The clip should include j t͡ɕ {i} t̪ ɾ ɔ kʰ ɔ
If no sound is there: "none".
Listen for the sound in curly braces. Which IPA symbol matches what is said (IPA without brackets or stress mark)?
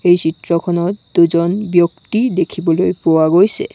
i